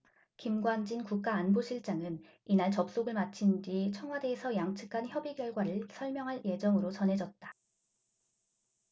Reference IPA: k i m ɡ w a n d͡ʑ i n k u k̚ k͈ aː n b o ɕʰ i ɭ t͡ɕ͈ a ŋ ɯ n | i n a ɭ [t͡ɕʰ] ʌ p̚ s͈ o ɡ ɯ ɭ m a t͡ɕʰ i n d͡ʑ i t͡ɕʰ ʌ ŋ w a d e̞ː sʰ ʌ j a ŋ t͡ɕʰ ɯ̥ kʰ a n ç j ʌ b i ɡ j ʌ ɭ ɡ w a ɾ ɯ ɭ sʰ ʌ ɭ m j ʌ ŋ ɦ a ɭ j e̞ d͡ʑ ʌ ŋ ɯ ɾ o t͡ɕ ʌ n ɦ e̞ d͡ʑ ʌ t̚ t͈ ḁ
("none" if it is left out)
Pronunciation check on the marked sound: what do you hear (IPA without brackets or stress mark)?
t͡ɕ